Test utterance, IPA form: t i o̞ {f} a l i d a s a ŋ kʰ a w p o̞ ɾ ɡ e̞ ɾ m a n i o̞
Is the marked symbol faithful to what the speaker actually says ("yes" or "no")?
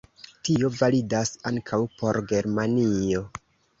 no